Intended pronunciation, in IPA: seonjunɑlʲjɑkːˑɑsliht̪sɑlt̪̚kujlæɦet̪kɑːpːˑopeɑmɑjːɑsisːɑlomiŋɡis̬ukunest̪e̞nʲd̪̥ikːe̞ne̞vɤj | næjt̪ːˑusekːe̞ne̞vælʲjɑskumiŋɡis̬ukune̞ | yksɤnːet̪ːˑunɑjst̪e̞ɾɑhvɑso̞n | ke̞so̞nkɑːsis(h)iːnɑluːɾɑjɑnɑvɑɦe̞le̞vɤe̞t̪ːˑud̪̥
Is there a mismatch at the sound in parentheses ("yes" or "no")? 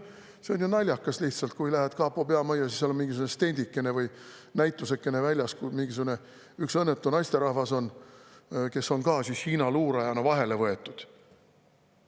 no